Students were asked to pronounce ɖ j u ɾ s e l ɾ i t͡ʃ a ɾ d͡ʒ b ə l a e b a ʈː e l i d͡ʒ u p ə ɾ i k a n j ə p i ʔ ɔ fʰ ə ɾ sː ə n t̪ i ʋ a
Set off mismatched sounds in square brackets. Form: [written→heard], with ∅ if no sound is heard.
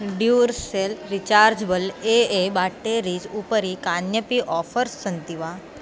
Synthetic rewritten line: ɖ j u ɾ s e l ɾ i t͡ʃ a ɾ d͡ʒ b ə l [a→e] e b a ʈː e [l→ɾ] i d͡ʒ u p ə ɾ i k a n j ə p i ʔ ɔ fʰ ə ɾ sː ə n t̪ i ʋ a

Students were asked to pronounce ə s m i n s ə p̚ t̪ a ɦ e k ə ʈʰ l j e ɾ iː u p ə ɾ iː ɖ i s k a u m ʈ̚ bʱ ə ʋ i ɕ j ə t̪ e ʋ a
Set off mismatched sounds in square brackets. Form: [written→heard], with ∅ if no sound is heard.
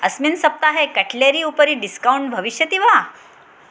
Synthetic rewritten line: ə s m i n s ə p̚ t̪ a ɦ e k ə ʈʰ l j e ɾ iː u p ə ɾ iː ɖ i s k a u [m→ɳ] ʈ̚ bʱ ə ʋ i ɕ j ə t̪ [e→i] ʋ a

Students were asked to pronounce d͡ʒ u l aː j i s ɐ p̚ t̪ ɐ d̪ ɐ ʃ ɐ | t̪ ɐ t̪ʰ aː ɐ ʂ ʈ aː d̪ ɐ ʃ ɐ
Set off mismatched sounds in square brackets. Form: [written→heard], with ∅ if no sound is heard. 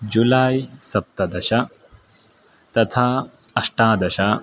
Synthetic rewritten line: d͡ʒ u l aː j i s ɐ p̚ t̪ ɐ d̪ ɐ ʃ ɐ | t̪ ɐ t̪ʰ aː ɐ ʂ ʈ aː d̪ ɐ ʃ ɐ

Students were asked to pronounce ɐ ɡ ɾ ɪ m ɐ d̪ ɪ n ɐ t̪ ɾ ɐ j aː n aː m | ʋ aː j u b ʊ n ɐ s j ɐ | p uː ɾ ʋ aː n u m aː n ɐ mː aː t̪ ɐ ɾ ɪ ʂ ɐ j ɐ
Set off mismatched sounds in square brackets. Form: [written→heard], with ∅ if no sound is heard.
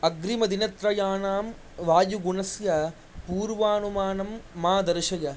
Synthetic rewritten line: ɐ ɡ ɾ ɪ m ɐ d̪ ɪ n ɐ t̪ ɾ ɐ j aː n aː m | ʋ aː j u [b→ɡ] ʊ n ɐ s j ɐ | p uː ɾ ʋ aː n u m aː n ɐ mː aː [t̪→d̪] ɐ ɾ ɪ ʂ ɐ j ɐ

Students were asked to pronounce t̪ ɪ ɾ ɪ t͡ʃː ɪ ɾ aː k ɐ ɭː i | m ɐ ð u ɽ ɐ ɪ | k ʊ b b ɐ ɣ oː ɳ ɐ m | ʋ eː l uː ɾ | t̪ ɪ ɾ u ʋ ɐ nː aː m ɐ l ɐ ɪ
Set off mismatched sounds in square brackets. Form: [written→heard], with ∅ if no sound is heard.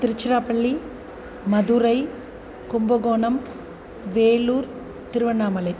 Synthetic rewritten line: t̪ ɪ ɾ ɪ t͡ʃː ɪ ɾ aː [k→p] ɐ ɭː i | m ɐ ð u [ɽ→ɾ] ɐ ɪ | k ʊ [b→m] b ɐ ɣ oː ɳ ɐ m | ʋ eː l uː ɾ | t̪ ɪ ɾ [u→ɯ] ʋ ɐ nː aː m ɐ l ɐ ɪ

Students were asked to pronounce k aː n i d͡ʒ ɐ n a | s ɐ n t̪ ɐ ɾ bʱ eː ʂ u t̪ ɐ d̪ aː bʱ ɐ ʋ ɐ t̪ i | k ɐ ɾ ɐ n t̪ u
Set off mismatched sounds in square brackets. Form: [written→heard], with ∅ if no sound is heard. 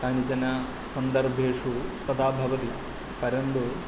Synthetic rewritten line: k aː n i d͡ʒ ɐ n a | s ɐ n [t̪→d̪] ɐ ɾ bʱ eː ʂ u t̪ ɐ d̪ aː bʱ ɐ ʋ ɐ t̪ i | [k→p] ɐ ɾ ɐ n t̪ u

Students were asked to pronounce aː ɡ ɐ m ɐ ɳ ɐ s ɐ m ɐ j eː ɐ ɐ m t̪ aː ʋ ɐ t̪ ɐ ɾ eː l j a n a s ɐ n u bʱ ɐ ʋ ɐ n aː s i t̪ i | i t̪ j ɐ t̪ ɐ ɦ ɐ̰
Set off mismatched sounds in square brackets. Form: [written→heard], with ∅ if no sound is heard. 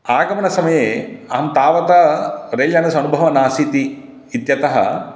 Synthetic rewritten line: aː ɡ ɐ m ɐ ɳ ɐ s ɐ m ɐ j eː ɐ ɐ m t̪ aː ʋ ɐ t̪ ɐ ɾ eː l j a n [a→ɐ] s ɐ n u bʱ ɐ ʋ ɐ n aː s i t̪ i | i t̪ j ɐ t̪ ɐ ɦ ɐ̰

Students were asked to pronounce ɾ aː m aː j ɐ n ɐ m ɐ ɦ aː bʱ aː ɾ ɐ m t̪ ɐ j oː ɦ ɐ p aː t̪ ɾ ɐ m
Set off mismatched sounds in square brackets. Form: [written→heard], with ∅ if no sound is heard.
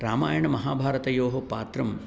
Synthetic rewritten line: ɾ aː m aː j ɐ [n→ɳ] ɐ m ɐ ɦ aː bʱ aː ɾ ɐ [m→∅] t̪ ɐ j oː ɦ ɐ p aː t̪ ɾ ɐ m

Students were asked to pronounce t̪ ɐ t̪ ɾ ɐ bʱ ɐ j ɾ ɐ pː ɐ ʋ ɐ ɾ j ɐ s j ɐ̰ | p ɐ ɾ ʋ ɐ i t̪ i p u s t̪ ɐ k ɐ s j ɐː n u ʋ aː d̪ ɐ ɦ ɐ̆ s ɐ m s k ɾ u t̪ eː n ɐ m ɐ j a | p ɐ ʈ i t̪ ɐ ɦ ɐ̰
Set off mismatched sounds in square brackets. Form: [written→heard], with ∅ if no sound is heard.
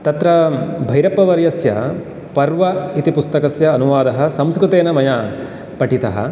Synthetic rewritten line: t̪ ɐ t̪ ɾ ɐ bʱ ɐ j ɾ ɐ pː ɐ ʋ ɐ ɾ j ɐ s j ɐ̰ | p ɐ ɾ ʋ ɐ i t̪ i p u s t̪ ɐ k ɐ s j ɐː n u ʋ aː d̪ ɐ ɦ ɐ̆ s ɐ m s k ɾ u t̪ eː n ɐ m ɐ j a | p ɐ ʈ i t̪ ɐ ɦ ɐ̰

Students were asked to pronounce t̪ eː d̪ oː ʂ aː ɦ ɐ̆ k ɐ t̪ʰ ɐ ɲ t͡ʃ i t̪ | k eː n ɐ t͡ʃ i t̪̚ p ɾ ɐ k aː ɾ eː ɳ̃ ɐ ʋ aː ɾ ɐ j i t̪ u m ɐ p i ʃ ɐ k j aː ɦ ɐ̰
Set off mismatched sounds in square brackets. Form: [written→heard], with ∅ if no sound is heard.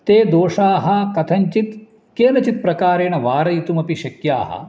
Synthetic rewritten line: t̪ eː d̪ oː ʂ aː ɦ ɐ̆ k ɐ t̪ʰ ɐ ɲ t͡ʃ i t̪ | k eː n ɐ t͡ʃ i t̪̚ p ɾ ɐ k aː ɾ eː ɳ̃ ɐ ʋ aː ɾ ɐ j i t̪ u m ɐ p i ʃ ɐ k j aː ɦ ɐ̰

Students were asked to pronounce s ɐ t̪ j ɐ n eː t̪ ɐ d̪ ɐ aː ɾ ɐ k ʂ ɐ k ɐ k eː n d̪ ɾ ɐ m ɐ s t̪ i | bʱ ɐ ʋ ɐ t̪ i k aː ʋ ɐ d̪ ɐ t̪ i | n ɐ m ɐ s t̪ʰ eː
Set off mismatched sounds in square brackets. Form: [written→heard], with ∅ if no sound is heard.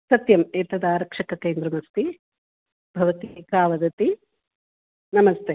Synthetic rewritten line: s ɐ t̪ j ɐ [n→m] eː t̪ ɐ d̪ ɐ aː ɾ ɐ k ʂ ɐ k ɐ k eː n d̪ ɾ ɐ m ɐ s t̪ i | bʱ ɐ ʋ ɐ t̪ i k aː ʋ ɐ d̪ ɐ t̪ i | n ɐ m ɐ s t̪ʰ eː

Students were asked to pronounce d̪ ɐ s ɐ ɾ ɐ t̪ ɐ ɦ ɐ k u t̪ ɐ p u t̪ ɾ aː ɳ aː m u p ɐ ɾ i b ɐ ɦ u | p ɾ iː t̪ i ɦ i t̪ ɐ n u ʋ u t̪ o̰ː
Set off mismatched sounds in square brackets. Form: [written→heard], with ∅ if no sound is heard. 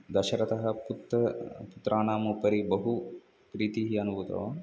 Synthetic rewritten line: d̪ ɐ [s→ʃ] ɐ ɾ ɐ t̪ ɐ ɦ ɐ [k→p] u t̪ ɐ p u t̪ ɾ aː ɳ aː m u p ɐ ɾ i b ɐ ɦ u | p ɾ iː t̪ i ɦ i [t̪→∅] ɐ n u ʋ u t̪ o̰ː

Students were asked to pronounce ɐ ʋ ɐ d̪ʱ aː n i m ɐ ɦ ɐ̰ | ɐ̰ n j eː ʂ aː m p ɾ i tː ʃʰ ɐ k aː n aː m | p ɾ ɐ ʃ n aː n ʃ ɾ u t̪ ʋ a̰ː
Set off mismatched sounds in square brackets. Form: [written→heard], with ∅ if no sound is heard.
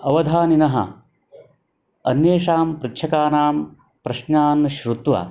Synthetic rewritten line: ɐ ʋ ɐ d̪ʱ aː n i [m→n] ɐ ɦ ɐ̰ | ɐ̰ n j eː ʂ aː m p ɾ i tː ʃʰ ɐ k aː n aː m | p ɾ ɐ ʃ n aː n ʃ ɾ u t̪ ʋ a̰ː

